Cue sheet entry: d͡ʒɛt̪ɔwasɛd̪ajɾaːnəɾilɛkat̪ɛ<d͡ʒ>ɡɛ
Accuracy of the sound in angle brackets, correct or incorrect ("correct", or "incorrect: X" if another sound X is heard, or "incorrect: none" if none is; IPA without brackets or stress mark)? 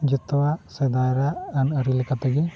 incorrect: none